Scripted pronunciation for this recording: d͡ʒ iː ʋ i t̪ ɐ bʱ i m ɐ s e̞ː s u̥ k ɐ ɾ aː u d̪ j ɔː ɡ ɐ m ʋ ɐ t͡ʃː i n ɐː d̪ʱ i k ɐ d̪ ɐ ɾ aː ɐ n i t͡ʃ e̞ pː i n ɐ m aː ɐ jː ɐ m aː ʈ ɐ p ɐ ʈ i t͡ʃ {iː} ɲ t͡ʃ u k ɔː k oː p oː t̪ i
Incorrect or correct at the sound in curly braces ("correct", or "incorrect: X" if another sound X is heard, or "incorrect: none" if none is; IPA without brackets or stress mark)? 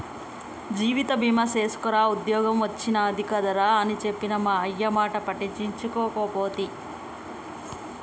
incorrect: i